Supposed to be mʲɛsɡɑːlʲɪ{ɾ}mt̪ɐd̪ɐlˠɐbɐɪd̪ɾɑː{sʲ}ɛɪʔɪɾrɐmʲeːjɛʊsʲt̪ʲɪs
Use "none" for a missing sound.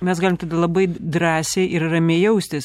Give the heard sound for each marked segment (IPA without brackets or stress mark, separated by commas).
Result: none, sʲ